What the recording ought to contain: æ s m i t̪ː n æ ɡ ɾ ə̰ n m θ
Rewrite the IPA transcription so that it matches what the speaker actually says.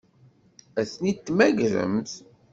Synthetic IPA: æ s n i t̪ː m æ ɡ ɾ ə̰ m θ